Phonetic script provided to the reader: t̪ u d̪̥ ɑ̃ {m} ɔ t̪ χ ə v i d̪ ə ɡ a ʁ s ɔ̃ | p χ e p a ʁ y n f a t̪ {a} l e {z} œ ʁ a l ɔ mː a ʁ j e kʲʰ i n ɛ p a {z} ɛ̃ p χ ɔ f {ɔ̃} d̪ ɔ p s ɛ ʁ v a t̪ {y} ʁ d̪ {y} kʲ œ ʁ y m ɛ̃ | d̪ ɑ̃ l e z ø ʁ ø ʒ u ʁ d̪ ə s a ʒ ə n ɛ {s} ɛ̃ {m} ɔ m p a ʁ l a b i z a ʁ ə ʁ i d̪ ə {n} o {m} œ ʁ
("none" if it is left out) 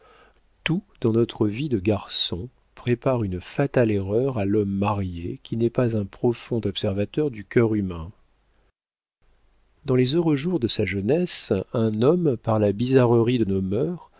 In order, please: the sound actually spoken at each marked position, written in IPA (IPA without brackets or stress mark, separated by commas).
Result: n, a, ʁ, z, ɔ̃, œ, y, s, n, n, m